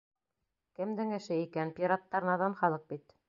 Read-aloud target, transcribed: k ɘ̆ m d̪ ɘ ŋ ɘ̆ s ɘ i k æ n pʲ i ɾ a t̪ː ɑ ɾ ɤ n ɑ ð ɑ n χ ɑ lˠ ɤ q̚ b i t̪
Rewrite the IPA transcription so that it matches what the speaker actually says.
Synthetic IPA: k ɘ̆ m d̪ ɘ ŋ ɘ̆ ʃ ɘ i k æ n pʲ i ɾ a t̪ː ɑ ɾ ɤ n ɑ ð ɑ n χ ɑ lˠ ɤ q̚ b i t̪